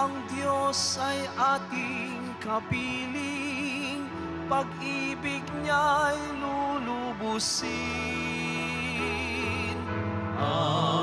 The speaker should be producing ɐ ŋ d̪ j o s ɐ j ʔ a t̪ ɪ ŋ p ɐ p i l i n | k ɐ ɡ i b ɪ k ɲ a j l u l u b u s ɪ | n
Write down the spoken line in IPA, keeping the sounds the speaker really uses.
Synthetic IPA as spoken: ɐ ŋ d̪ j o s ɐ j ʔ a t̪ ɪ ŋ k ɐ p i l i ŋ | p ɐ ɡ i b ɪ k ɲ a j l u l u b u s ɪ | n